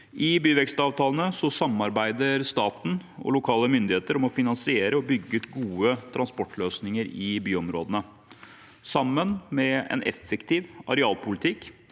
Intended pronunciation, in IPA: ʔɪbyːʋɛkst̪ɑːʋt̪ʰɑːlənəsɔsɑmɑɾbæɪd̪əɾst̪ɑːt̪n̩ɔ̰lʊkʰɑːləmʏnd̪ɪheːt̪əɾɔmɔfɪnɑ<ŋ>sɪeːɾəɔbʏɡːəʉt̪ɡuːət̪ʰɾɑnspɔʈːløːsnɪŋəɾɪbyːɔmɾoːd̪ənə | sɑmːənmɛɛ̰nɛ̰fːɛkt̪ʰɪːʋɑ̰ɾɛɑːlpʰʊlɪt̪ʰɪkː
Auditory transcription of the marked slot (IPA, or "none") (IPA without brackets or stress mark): n